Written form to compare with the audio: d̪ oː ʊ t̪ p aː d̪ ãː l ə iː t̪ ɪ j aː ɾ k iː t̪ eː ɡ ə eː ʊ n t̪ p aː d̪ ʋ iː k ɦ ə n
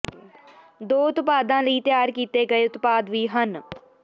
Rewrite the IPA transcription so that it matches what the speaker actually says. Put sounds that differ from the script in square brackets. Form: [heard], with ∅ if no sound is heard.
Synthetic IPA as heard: d̪ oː ʊ t̪ p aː d̪ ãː l ə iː t̪ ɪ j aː ɾ k iː t̪ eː ɡ ə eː ʊ [∅] t̪ p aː d̪ ʋ iː [∅] ɦ ə n